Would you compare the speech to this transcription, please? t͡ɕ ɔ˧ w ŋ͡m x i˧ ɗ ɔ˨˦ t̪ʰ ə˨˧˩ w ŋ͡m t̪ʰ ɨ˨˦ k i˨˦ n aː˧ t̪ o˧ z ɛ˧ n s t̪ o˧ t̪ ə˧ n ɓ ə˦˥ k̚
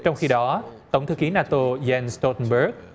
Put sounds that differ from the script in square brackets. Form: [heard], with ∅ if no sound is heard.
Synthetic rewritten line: t͡ɕ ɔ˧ w ŋ͡m x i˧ ɗ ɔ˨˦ [t̪] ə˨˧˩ w ŋ͡m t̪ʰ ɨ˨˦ k i˨˦ n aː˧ t̪ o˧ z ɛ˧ n s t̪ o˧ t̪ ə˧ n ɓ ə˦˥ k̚